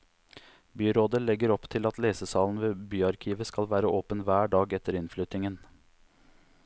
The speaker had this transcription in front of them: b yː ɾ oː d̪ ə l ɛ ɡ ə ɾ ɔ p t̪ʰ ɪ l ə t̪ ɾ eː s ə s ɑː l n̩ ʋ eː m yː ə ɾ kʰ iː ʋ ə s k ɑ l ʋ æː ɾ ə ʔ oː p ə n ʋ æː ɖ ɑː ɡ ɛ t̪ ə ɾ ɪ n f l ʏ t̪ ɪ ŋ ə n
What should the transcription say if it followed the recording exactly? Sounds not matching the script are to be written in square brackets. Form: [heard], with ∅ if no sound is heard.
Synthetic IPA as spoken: b yː ɾ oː d̪ ə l ɛ ɡ ə ɾ ɔ p t̪ʰ ɪ l [ɑ] t̪ [l] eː s ə s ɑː l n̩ ʋ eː [b] yː [ɑ] ɾ kʰ iː ʋ ə s k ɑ l ʋ æː ɾ ə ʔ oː p ə n ʋ æː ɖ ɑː ɡ ɛ t̪ ə ɾ ɪ n f l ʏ t̪ ɪ ŋ ə n